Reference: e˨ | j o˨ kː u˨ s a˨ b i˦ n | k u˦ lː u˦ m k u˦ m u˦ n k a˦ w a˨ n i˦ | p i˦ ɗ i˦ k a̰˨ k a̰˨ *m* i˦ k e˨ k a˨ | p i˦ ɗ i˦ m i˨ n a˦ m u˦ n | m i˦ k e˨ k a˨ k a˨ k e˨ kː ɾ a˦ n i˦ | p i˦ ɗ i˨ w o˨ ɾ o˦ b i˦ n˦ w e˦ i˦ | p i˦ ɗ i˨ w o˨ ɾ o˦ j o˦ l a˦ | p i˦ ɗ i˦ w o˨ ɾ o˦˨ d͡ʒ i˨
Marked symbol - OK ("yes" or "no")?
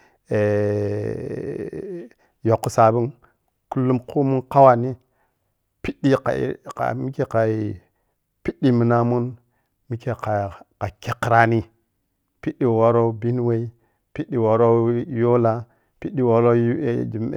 yes